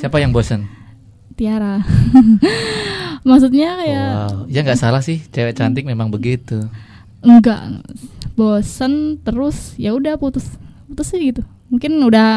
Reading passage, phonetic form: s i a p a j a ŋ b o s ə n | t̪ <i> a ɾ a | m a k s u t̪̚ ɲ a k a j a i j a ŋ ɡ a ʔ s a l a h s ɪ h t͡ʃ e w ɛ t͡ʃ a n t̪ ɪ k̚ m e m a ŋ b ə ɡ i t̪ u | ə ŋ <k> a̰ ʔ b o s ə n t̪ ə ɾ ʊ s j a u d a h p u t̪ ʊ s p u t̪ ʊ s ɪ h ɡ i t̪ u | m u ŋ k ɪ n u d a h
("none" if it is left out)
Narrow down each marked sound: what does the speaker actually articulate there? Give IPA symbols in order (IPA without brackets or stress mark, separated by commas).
i, ɡ